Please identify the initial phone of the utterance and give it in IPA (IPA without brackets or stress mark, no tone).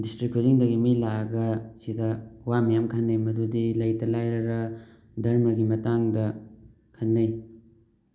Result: d